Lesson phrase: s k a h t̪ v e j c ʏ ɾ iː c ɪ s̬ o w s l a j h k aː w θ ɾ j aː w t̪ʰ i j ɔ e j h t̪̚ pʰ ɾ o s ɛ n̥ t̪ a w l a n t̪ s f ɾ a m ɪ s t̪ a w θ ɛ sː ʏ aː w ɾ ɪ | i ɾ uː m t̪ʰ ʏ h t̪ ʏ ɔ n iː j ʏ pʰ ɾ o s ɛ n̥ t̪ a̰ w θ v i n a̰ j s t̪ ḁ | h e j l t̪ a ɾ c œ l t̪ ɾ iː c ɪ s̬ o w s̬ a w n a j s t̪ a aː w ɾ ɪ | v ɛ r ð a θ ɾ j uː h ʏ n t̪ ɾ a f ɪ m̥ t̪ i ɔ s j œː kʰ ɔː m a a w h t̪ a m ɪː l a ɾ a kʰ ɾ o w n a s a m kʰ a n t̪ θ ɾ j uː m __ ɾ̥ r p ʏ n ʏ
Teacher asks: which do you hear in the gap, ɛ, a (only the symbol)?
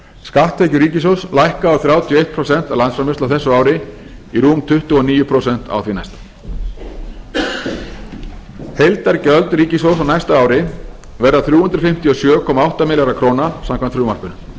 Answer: a